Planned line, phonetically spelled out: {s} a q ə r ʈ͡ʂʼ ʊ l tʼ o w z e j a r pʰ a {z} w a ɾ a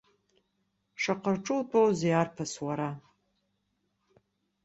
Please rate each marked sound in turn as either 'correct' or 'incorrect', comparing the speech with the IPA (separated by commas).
incorrect, incorrect